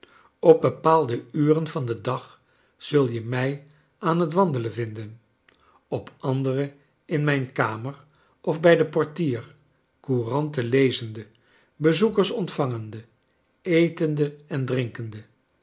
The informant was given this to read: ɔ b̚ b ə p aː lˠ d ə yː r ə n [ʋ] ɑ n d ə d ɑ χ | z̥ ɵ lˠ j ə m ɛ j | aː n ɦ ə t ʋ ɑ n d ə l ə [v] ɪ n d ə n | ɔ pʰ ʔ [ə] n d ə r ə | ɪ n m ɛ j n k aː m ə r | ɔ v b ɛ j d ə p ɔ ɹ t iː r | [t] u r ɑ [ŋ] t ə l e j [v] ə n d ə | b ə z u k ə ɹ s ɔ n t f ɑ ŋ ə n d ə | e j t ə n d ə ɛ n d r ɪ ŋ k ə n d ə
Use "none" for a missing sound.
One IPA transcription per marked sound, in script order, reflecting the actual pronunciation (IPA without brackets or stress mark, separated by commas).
v, v, ɑ, k, n, z